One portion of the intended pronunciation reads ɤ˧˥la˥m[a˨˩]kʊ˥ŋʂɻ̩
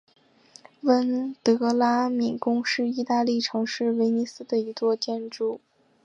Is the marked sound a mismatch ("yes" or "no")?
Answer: yes